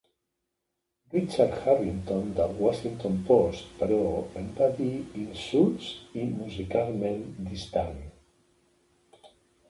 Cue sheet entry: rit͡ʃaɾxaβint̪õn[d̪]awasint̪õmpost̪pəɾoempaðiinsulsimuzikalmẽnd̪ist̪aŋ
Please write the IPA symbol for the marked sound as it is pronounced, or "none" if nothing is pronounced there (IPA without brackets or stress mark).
d̪